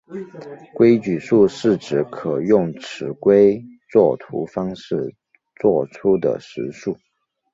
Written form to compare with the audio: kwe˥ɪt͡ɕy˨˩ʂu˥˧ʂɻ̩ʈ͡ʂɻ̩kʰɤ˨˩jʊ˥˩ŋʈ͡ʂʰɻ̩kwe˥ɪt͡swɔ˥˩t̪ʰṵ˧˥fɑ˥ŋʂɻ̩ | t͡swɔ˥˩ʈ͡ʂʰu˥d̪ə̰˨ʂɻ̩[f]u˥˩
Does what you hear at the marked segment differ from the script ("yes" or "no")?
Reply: yes